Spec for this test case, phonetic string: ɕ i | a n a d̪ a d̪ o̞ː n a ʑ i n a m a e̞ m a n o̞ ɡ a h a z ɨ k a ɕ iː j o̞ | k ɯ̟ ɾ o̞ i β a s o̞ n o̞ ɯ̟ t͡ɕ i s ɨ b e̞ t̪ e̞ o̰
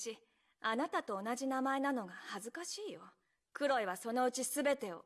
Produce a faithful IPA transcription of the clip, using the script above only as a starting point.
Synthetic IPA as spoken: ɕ i | a n a t̪ a t̪ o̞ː n a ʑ i n a m a e̞ n a n o̞ ɡ a h a z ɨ k a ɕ iː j o̞ | k ɯ̟ ɾ o̞ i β a s o̞ n o̞ ɯ̟ t͡ɕ i s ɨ b e̞ t̪ e̞ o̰